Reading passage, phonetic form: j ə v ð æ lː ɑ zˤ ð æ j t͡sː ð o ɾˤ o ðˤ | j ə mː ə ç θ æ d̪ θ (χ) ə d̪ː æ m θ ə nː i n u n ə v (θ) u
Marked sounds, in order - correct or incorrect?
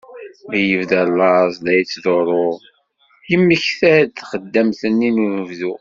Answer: correct, incorrect: ð

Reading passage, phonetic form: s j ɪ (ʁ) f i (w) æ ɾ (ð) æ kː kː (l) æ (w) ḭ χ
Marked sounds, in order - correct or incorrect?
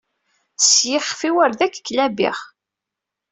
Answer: incorrect: χ, correct, correct, correct, incorrect: b

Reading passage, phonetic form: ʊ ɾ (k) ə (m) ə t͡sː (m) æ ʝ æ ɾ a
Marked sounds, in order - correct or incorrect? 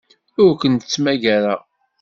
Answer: correct, incorrect: n, correct

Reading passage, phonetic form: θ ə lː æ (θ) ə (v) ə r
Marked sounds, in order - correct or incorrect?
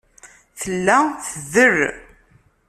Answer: correct, incorrect: ð

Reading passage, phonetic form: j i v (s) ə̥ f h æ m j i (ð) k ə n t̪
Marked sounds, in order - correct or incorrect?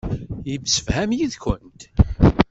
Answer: correct, correct

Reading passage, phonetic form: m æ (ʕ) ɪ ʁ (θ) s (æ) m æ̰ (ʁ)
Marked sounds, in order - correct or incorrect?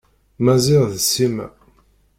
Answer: incorrect: z, incorrect: ð, incorrect: i, incorrect: none

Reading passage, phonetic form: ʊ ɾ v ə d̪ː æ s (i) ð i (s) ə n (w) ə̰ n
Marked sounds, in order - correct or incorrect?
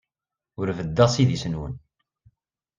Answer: correct, correct, correct

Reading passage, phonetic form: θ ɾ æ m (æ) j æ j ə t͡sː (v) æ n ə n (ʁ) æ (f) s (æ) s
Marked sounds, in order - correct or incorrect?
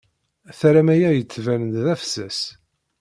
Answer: correct, correct, incorrect: ð, correct, correct

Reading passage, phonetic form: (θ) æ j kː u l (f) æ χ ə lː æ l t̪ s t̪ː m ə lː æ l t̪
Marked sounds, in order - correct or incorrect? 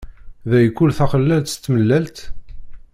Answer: incorrect: ð, incorrect: θ

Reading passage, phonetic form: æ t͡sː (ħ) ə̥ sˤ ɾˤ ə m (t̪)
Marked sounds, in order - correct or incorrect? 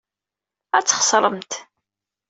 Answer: incorrect: χ, correct

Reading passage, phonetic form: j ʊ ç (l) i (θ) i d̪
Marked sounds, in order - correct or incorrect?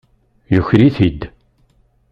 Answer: incorrect: ɾ, correct

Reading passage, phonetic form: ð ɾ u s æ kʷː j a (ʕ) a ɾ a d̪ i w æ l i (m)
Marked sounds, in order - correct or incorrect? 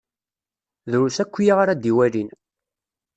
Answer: incorrect: ʁ, incorrect: n

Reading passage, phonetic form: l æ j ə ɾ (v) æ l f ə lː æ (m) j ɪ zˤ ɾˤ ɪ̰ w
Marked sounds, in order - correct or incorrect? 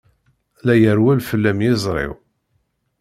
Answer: incorrect: w, correct

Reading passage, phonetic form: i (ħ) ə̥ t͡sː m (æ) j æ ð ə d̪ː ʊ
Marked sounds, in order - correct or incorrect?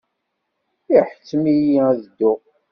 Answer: correct, incorrect: i

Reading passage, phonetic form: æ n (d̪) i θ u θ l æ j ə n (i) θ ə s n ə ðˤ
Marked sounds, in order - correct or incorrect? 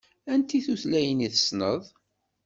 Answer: incorrect: t̪, correct

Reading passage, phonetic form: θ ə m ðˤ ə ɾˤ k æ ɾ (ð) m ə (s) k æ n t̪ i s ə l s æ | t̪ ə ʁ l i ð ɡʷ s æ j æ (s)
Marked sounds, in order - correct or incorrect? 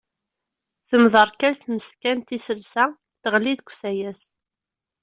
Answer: incorrect: θ, correct, correct

